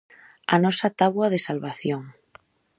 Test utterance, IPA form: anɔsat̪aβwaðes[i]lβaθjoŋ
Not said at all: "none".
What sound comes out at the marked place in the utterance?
a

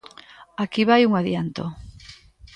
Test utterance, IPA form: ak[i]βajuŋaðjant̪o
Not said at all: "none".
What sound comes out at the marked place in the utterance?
i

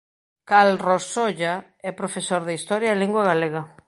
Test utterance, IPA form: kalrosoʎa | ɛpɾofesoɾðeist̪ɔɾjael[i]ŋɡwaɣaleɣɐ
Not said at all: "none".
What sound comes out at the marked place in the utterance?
i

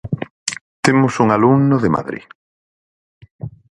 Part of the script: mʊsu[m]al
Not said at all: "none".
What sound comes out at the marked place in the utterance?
ŋ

